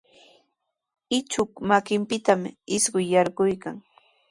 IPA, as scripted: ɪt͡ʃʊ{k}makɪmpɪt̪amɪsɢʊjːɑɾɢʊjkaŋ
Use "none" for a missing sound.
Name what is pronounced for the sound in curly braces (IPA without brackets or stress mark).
k